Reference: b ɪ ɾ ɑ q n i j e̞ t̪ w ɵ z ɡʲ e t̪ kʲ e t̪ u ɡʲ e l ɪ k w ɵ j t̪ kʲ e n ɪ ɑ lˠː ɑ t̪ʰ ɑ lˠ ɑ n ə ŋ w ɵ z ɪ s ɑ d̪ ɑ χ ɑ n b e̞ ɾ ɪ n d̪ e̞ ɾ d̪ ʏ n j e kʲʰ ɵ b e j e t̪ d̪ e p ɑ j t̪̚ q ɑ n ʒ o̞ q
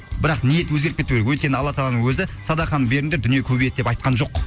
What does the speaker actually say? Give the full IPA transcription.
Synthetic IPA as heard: b ɪ ɾ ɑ q n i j e̞ t̪ w ɵ z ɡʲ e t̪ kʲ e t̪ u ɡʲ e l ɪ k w ɵ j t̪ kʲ e n ɪ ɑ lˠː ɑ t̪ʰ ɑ lˠ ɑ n ə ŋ w ɵ z ɪ s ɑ d̪ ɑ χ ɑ n b e̞ ɾ ɪ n d̪ e̞ ɾ d̪ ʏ n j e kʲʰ ɵ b e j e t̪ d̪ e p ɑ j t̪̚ q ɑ n ʒ o̞ q